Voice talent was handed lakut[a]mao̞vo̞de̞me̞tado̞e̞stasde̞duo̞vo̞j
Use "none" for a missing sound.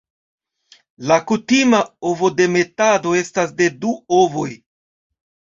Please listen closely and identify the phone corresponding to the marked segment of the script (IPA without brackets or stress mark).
i